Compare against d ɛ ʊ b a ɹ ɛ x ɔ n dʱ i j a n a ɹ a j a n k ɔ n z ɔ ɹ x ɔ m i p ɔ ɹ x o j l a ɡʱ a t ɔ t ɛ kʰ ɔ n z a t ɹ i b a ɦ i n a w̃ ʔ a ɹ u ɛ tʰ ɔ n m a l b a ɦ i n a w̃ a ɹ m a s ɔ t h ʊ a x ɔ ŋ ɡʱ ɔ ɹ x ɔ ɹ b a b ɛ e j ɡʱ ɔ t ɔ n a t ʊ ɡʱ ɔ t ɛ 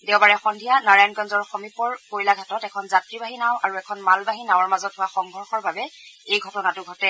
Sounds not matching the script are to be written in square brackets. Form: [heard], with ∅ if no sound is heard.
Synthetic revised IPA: d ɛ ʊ b a ɹ ɛ x ɔ n dʱ i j a n a ɹ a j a n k ɔ n z ɔ ɹ x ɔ m i p ɔ ɹ [k] o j l a ɡʱ a t ɔ t ɛ kʰ ɔ n z a t ɹ i b a ɦ i n a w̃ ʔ a ɹ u ɛ [kʰ] ɔ n m a l b a ɦ i n a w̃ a ɹ m a [z] ɔ t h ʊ a x ɔ ŋ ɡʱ ɔ ɹ x ɔ ɹ b a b ɛ e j ɡʱ ɔ t ɔ n a t ʊ ɡʱ ɔ t ɛ